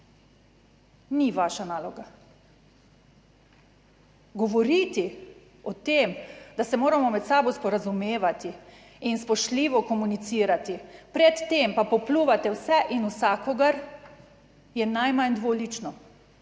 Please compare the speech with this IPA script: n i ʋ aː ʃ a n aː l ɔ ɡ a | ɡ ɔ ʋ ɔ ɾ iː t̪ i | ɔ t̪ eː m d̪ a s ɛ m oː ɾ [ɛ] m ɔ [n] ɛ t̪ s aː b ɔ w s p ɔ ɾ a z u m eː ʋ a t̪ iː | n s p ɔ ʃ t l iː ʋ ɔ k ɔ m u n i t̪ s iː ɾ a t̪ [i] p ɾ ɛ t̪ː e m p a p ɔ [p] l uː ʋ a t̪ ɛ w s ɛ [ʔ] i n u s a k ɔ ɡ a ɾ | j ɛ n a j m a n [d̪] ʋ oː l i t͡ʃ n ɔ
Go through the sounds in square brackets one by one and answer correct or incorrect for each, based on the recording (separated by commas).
incorrect, incorrect, correct, correct, correct, correct